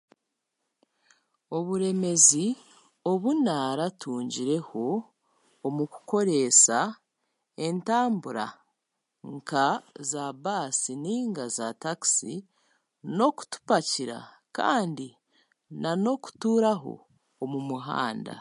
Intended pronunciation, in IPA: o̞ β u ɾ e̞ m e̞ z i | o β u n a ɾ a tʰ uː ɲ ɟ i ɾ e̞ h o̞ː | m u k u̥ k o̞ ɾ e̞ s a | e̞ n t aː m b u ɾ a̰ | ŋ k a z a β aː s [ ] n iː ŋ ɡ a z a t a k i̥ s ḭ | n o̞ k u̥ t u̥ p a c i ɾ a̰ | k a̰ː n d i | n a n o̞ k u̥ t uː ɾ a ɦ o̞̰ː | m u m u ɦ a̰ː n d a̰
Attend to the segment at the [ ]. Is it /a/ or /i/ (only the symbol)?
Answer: i